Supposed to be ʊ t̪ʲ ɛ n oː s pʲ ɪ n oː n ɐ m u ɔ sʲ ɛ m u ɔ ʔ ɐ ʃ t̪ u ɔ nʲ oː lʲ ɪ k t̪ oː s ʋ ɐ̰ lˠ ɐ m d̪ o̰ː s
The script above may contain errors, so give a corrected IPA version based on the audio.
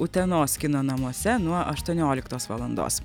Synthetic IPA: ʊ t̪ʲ ɛ n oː s kʲ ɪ n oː n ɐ m u ɔ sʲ ɛ n u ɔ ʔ ɐ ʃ t̪ u ɔ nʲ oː lʲ ɪ k t̪ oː s ʋ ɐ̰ lˠ ɐ n d̪ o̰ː s

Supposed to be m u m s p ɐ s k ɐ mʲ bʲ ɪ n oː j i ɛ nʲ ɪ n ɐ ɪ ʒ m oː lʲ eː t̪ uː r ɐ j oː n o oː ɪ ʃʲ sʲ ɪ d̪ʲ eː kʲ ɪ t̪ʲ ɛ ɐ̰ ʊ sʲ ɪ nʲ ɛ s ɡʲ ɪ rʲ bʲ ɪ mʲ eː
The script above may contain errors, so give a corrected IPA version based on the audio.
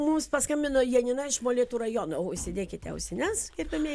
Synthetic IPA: m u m s p ɐ s k ɐ mʲ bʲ ɪ n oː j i ɛ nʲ ɪ n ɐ ɪ ʃ m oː lʲ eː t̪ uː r ɐ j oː n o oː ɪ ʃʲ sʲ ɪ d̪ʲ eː kʲ ɪ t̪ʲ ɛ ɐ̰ ʊ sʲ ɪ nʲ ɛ s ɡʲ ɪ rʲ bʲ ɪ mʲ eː

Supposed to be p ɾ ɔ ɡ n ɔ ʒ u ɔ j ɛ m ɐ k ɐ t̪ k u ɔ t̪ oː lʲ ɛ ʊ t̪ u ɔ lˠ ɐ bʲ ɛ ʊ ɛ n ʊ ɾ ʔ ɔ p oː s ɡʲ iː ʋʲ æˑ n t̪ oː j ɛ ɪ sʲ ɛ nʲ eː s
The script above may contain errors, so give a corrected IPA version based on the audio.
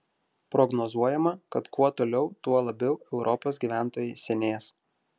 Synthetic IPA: p ɾ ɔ ɡ n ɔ z u ɔ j ɛ m ɐ k ɐ t̪ k u ɔ t̪ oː lʲ ɛ ʊ t̪ u ɔ lˠ ɐ bʲ ɛ ʊ ɛ ʊ ɾ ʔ ɔ p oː s ɡʲ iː ʋʲ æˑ n t̪ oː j ɛ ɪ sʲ ɛ nʲ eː s

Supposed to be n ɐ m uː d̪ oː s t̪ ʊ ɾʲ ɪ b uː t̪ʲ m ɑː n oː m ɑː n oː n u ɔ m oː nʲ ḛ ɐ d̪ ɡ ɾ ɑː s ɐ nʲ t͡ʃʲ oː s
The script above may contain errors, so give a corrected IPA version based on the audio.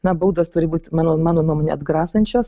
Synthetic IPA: n ɐ b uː d̪ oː s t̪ ʊ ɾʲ ɪ b uː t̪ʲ m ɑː n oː m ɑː n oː n u ɔ m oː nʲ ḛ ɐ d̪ ɡ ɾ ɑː s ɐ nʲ t͡ʃʲ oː s

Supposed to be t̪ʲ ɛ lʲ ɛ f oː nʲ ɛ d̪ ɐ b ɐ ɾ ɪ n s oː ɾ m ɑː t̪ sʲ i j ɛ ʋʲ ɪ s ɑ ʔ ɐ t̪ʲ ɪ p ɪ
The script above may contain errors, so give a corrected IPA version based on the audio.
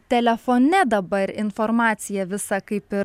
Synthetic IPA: t̪ʲ ɛ lʲ ɛ f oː nʲ ɛ d̪ ɐ b ɐ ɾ ɪ n f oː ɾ m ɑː t̪ sʲ ɪ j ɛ ʋʲ ɪ s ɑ k ɐ ɪ p ɪ

